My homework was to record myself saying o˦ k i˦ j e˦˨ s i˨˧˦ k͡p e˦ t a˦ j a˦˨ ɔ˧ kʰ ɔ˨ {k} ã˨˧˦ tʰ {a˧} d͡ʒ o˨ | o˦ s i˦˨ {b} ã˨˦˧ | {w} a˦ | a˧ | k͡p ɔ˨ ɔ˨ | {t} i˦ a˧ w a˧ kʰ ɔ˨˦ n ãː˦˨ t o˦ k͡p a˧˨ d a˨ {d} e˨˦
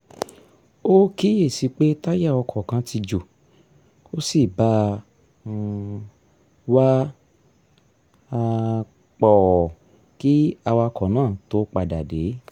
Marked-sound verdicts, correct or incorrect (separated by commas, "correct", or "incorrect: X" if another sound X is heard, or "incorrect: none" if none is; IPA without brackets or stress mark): correct, incorrect: i˧, correct, correct, incorrect: k, correct